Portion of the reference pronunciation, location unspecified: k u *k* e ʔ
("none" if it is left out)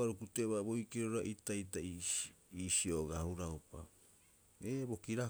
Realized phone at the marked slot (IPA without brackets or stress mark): t